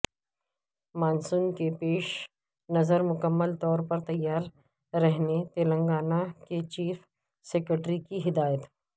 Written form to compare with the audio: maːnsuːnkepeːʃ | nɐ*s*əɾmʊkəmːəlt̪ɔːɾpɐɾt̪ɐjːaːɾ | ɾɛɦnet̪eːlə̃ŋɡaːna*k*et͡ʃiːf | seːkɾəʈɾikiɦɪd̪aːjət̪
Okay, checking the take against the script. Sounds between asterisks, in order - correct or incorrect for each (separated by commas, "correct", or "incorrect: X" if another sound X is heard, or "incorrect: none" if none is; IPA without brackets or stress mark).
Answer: incorrect: z, correct